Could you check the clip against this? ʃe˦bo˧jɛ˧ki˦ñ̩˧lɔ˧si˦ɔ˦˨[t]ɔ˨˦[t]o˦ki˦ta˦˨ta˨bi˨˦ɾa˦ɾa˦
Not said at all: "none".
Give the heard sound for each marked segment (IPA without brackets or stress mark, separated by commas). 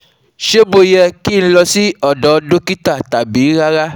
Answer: d, d